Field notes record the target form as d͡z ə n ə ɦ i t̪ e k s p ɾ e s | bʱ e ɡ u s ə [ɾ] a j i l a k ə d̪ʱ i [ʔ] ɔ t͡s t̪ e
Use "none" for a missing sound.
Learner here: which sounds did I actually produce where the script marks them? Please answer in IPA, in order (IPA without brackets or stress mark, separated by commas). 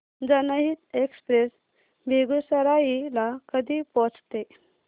ɾ, p